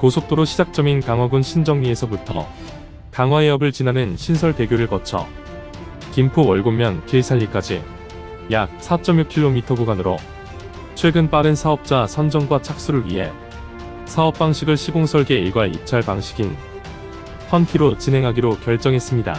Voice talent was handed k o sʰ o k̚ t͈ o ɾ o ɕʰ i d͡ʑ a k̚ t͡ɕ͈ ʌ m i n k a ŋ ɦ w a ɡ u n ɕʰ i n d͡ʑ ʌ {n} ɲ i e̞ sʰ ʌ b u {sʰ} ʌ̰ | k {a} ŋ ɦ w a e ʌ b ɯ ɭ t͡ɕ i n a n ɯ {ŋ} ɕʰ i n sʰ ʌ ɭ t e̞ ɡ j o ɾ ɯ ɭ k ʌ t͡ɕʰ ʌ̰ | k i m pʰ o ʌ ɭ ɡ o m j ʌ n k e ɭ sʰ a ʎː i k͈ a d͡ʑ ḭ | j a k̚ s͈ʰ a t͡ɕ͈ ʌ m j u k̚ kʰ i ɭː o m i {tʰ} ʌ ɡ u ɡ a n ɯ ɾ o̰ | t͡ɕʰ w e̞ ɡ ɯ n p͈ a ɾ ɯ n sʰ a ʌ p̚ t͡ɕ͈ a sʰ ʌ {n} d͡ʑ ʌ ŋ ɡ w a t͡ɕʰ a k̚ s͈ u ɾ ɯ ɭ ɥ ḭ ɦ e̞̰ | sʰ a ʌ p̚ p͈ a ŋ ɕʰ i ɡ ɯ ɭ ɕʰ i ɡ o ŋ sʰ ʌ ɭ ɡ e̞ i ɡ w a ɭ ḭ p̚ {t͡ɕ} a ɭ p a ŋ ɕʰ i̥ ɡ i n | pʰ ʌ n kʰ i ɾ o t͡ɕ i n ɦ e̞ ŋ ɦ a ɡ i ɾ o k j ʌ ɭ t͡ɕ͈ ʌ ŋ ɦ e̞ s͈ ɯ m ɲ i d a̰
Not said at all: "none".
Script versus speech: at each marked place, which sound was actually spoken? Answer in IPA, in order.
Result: ŋ, tʰ, a, n, tʰ, n, t͡ɕʰ

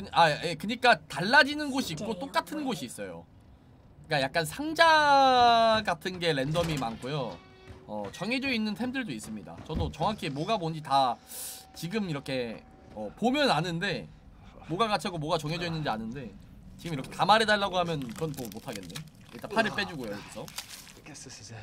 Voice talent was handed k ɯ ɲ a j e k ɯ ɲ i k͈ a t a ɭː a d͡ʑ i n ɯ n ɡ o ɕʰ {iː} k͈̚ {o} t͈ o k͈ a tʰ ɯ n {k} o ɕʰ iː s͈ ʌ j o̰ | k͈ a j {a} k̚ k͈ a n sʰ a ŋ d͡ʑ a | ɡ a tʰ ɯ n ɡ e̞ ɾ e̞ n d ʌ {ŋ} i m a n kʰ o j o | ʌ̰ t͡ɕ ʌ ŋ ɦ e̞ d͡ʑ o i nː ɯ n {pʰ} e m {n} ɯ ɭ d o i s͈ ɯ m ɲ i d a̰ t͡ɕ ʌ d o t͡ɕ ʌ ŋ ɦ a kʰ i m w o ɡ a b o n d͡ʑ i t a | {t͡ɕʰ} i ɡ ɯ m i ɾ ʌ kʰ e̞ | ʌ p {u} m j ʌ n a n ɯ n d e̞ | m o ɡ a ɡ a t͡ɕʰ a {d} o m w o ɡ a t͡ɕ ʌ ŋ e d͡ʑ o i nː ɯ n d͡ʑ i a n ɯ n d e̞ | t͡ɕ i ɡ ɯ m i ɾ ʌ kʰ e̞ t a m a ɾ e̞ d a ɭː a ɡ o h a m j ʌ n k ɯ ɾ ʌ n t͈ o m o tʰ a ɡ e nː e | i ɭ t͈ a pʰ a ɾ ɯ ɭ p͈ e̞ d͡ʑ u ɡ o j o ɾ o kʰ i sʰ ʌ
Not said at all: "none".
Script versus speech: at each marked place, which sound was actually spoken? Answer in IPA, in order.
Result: iː, o, ɡ, a, m, tʰ, d, t͡ɕ, o, ɡ

